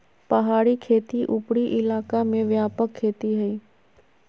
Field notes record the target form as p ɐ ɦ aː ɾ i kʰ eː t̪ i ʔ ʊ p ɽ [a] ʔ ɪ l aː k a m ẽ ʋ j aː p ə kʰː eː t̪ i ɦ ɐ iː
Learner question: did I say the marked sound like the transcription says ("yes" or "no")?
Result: no